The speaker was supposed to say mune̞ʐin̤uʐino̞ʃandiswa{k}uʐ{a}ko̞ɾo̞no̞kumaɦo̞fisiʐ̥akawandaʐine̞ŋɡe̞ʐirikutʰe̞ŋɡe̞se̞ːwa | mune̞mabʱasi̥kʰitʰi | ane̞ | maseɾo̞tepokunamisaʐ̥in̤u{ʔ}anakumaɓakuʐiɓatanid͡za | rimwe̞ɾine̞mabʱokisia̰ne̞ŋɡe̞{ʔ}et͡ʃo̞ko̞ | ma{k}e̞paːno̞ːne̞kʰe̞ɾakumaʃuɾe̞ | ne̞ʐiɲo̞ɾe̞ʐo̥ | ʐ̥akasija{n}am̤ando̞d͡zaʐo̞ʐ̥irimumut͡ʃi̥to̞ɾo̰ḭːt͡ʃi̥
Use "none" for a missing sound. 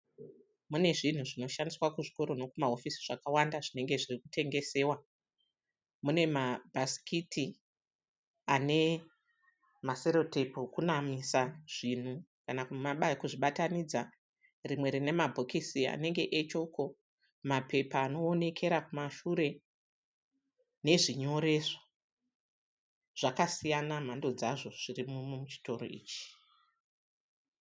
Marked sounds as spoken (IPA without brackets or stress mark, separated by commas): k, i, k, ʔ, p, n